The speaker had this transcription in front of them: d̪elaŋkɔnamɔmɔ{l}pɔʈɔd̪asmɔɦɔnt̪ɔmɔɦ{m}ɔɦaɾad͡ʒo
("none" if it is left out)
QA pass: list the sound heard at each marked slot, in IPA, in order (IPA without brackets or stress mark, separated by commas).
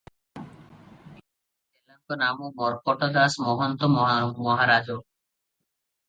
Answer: ɾ, m